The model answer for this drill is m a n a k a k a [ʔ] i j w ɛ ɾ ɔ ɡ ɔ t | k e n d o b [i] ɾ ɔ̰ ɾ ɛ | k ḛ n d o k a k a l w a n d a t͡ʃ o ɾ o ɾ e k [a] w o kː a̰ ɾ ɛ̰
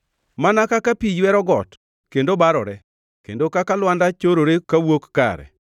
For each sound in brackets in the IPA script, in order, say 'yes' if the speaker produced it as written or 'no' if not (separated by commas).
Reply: no, no, yes